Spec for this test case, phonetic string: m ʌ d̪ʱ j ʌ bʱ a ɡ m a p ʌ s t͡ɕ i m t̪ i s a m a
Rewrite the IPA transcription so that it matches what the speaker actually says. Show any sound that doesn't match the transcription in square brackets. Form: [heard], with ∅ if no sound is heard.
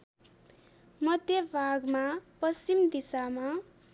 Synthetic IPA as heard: m ʌ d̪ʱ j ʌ bʱ a ɡ m a p ʌ s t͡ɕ i m [d̪] i s a m a